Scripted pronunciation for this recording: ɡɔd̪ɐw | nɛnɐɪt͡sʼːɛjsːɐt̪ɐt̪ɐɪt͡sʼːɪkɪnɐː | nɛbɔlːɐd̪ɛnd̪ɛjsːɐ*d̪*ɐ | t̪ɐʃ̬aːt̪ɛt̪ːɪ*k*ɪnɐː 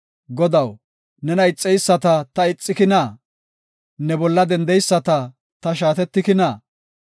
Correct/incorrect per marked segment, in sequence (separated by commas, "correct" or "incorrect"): incorrect, correct